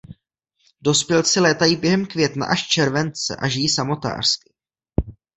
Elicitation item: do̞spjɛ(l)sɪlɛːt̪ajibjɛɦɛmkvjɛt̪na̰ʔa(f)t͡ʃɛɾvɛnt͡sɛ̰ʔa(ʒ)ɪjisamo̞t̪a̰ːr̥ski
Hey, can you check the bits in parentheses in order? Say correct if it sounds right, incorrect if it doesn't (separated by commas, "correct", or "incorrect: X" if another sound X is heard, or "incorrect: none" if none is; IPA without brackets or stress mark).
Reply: correct, incorrect: ʃ, correct